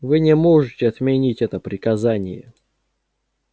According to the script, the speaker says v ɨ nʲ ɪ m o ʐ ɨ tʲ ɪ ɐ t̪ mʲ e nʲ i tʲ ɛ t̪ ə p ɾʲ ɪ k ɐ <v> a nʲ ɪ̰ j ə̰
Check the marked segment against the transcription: incorrect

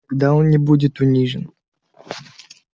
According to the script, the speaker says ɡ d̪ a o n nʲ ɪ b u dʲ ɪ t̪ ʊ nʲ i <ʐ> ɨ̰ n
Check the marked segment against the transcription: correct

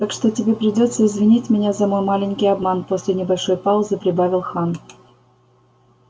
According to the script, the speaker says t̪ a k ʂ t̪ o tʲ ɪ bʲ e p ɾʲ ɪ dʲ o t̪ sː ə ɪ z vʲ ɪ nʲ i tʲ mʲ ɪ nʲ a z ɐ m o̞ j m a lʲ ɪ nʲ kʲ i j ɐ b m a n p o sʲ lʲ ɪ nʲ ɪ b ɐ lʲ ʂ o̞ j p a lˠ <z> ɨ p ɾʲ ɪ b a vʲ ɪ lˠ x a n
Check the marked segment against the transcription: correct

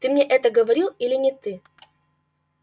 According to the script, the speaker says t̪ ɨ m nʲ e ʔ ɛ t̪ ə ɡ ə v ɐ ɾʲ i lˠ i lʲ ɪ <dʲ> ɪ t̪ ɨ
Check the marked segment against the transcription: incorrect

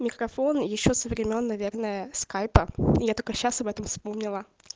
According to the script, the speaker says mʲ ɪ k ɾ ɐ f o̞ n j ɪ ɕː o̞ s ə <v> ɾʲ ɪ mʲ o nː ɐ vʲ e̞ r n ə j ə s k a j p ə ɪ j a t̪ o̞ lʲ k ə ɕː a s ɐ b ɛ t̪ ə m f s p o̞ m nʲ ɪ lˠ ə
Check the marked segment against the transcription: correct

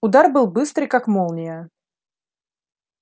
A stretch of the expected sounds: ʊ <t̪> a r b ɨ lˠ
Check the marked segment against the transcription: incorrect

